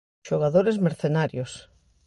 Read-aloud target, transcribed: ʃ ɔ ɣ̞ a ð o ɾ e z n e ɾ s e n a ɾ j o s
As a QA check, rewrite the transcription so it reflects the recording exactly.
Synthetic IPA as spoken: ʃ o ɣ̞ a ð o ɾ e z m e ɾ θ e n a ɾ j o s